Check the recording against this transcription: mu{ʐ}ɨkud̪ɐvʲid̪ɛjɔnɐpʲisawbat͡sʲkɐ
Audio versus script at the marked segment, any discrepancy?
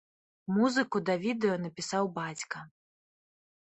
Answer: yes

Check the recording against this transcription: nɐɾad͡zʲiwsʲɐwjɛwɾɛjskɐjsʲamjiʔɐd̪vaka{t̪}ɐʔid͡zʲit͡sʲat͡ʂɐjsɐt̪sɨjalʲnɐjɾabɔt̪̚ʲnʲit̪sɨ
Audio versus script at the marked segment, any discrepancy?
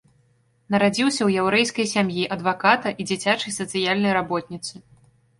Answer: no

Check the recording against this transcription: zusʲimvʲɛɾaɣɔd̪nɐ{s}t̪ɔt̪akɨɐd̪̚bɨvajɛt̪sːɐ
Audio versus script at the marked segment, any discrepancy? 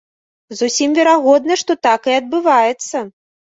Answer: yes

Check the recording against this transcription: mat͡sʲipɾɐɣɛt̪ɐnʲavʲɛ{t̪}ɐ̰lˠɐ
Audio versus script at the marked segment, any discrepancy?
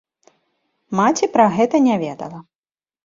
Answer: yes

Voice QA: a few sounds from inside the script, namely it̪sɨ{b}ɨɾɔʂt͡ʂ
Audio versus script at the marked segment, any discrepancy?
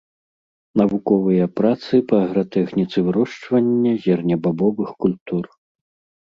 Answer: yes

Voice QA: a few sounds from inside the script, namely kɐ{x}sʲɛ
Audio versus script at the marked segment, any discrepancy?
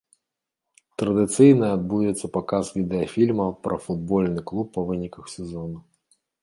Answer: no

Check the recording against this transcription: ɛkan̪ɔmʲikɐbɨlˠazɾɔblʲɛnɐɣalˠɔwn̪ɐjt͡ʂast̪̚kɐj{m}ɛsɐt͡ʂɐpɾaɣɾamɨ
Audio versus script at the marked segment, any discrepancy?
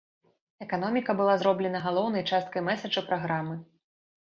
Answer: no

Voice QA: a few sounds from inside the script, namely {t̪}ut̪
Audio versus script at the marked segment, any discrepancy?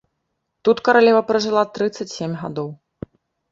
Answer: no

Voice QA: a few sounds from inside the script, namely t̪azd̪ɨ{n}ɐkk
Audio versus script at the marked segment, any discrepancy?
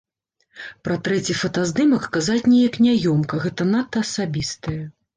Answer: yes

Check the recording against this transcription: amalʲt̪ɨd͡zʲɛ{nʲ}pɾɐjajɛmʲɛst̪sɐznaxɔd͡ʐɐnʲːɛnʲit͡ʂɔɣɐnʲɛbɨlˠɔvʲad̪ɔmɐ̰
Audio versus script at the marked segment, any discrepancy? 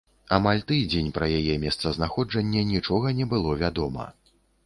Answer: no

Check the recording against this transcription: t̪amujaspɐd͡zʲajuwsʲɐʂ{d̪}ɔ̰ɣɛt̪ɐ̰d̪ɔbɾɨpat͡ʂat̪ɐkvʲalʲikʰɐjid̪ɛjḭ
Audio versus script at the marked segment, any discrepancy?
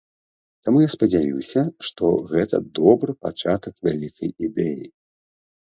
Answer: yes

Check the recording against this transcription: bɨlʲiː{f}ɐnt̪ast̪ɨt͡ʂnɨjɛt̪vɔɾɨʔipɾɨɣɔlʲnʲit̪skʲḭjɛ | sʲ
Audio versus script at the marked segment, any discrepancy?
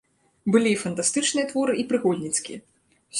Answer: no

